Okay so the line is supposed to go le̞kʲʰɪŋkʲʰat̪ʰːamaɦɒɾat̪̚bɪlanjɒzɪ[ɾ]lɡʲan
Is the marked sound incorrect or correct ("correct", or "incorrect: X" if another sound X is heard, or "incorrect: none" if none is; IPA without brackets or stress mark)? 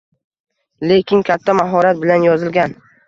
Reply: incorrect: none